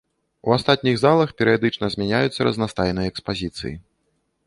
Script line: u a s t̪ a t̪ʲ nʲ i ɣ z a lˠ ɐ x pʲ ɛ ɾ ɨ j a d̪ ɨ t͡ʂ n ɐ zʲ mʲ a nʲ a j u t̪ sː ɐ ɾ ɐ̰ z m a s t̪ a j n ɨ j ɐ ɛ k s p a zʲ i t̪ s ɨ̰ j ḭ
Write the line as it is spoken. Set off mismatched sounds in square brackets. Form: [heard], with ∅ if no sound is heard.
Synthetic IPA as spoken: u a s t̪ a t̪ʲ nʲ i ɣ z a lˠ ɐ x pʲ ɛ ɾ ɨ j a d̪ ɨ t͡ʂ n ɐ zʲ mʲ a nʲ a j u t̪ sː ɐ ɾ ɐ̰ z [n] a s t̪ a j n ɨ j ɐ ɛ k s p a zʲ i t̪ s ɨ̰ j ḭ